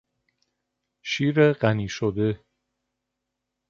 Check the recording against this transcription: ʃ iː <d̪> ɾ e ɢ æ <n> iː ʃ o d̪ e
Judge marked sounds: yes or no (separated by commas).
no, yes